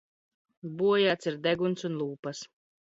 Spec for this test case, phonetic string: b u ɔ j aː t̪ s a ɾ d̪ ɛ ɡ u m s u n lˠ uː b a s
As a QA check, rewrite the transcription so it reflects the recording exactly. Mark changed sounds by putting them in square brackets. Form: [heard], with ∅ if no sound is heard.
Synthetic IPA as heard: b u ɔ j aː t̪ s [i] ɾ d̪ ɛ ɡ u [n] s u n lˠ uː [p] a s